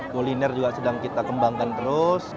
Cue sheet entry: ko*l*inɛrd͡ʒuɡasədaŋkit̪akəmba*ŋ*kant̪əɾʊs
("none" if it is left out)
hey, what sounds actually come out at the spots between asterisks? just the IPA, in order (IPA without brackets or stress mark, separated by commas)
l, ŋ